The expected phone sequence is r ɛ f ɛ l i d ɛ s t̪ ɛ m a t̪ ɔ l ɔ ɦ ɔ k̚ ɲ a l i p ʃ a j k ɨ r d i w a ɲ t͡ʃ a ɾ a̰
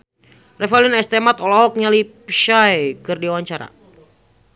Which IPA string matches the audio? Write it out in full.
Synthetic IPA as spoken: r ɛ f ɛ l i n ɛ s t̪ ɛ m a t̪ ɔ l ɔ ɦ ɔ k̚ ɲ a l i p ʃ a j k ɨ r d i w a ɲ t͡ʃ a ɾ a̰

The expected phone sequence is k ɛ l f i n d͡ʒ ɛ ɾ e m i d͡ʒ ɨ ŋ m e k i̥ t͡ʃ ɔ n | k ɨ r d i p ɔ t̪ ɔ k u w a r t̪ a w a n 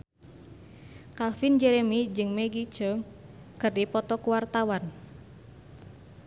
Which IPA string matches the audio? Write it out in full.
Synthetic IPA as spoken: k a l f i n d͡ʒ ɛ ɾ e m i d͡ʒ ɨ ŋ m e ɡ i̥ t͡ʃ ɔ ŋ | k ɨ r d i p ɔ t̪ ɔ k u w a r t̪ a w a n

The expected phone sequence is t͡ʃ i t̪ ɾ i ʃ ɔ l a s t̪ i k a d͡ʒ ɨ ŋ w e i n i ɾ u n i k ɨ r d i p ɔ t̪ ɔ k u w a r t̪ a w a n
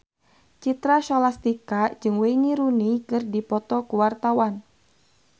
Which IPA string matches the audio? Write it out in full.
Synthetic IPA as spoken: t͡ʃ i t̪ ɾ a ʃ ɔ l a s t̪ i k a d͡ʒ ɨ ŋ w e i n i ɾ u n i k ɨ r d i p ɔ t̪ ɔ k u w a r t̪ a w a n

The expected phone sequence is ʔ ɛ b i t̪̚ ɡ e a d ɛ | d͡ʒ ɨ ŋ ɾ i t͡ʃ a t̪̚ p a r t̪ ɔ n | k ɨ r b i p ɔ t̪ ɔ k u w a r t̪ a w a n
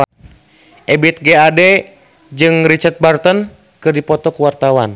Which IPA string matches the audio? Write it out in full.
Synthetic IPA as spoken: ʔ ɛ b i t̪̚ ɡ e a d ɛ | d͡ʒ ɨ ŋ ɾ i t͡ʃ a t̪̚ b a r t̪ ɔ n | k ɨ r d i p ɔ t̪ ɔ k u w a r t̪ a w a n

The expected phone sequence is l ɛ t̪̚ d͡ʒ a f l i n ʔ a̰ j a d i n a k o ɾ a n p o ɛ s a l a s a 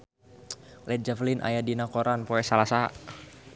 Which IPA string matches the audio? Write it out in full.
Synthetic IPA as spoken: l ɛ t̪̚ d͡ʒ a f l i n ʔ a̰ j a d i n a k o ɾ a n p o ɛ s a l a s a

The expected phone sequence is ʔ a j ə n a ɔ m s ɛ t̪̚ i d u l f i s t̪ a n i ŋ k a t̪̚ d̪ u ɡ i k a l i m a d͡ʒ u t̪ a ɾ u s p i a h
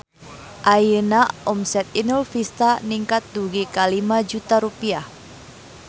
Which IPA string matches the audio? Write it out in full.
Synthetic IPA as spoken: ʔ a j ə n a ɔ m s ɛ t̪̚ i n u l f i s t̪ a n i ŋ k a t̪̚ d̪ u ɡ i k a l i m a d͡ʒ u t̪ a ɾ u p i a h

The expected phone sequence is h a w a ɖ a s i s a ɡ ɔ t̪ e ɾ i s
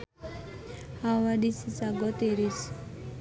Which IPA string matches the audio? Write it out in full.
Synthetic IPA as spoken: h a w a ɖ i s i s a ɡ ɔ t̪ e ɾ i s

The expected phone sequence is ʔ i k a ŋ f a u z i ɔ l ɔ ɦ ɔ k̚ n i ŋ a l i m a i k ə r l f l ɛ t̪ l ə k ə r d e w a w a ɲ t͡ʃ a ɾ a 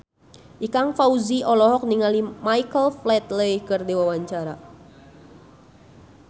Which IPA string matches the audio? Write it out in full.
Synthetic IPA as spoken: ʔ i k a ŋ f a u z i ɔ l ɔ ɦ ɔ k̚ n i ŋ a l i m a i k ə l f l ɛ t̪ l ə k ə r d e w a w a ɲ t͡ʃ a ɾ a

